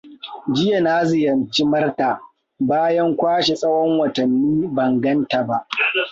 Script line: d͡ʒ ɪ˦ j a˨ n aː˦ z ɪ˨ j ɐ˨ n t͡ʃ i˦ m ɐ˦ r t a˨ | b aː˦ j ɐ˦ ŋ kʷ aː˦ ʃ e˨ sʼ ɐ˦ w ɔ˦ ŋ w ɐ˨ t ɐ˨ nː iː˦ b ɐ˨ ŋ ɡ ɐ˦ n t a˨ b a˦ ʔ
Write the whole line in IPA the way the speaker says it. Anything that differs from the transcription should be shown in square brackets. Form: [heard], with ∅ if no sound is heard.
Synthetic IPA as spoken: d͡ʒ ɪ˦ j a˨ n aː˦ z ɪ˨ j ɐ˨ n t͡ʃ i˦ m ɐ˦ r t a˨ | b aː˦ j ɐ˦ ŋ kʷ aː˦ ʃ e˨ sʼ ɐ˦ w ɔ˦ ŋ w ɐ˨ t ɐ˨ nː iː˦ b ɐ˨ ŋ ɡ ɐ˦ n t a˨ b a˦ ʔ